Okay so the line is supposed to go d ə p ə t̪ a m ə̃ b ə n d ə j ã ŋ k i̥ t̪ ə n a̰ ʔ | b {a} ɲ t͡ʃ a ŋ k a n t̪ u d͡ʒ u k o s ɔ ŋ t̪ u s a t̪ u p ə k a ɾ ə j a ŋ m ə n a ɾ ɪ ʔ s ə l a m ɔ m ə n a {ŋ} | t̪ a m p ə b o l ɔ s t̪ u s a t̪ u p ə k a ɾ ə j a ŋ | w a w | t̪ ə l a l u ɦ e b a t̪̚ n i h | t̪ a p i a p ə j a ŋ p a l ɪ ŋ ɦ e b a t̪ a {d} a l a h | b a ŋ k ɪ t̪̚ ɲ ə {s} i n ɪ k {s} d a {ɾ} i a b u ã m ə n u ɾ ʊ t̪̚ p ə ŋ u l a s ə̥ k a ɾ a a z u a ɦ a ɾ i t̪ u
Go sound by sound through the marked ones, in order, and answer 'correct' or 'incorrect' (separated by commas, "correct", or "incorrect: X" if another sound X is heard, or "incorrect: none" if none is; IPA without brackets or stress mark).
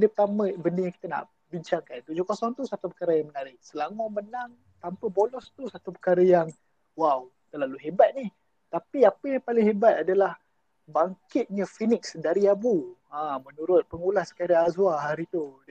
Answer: incorrect: i, correct, correct, incorrect: f, correct, correct